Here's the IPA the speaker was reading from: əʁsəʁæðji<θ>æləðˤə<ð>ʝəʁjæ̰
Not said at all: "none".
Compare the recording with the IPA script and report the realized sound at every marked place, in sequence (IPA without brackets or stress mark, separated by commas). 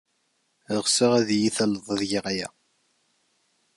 θ, ð